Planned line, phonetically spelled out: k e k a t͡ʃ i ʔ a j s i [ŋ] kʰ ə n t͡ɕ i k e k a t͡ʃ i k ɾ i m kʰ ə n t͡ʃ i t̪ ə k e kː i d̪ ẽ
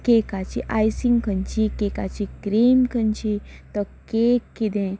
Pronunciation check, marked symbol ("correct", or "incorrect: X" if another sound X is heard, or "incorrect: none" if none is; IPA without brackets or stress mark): correct